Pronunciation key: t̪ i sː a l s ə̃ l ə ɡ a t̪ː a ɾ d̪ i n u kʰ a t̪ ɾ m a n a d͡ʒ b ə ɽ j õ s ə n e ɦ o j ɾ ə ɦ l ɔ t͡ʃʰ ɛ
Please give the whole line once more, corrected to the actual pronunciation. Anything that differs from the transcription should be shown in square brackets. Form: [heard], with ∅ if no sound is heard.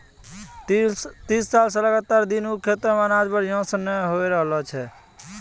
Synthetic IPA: t̪ i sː a l s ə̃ l ə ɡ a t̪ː a ɾ d̪ i n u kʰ [e] t̪ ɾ m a n a d͡ʒ b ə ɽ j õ s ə n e ɦ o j ɾ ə ɦ l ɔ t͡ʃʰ ɛ